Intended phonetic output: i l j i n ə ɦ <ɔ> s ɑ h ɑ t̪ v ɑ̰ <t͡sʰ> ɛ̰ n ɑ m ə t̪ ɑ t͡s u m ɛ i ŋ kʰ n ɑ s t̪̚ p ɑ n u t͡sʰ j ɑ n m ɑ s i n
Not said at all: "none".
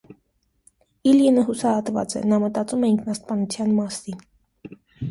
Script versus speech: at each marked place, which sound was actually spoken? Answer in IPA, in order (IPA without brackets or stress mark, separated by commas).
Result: u, t͡s